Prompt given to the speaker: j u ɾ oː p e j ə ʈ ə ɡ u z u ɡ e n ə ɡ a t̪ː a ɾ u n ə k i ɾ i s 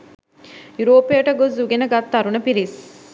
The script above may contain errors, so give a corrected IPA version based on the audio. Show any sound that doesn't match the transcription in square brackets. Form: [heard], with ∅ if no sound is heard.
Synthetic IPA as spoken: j u ɾ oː p e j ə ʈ ə ɡ [o] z u ɡ e n ə ɡ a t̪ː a ɾ u n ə [p] i ɾ i s